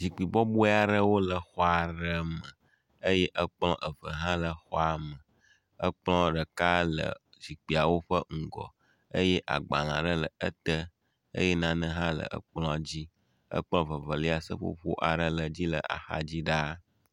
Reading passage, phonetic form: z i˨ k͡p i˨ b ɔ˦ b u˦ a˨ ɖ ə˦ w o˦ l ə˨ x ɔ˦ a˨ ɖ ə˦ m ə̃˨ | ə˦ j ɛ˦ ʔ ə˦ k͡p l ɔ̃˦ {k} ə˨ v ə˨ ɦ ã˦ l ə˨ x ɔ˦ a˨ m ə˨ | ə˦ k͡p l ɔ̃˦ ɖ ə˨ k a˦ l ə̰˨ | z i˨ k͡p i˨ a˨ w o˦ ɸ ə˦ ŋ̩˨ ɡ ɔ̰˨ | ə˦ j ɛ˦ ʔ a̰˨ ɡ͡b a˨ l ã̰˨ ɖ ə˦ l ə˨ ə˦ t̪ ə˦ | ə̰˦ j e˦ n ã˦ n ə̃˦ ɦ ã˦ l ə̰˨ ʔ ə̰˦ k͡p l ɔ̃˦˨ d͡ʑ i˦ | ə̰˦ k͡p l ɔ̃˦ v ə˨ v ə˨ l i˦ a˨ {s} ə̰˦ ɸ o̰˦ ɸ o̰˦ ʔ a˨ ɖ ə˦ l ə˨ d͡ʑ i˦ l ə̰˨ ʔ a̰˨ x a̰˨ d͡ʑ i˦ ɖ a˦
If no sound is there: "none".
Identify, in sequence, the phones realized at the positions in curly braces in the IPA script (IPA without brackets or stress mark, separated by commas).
ʔ, s